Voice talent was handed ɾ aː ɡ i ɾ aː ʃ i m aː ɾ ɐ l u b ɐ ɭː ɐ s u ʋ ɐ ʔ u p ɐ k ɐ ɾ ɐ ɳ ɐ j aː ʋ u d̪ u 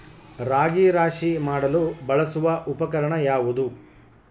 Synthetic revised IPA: ɾ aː ɡ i ɾ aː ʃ i m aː ɽ ɐ l u b ɐ ɭ ɐ s u ʋ ɐ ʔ u p ɐ k ɐ ɾ ɐ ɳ ɐ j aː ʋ u d̪ u